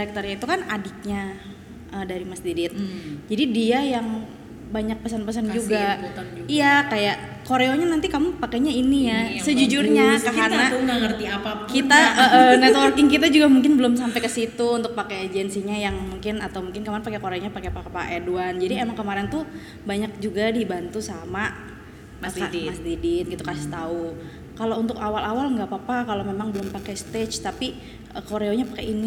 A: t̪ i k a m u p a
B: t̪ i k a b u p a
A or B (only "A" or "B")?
A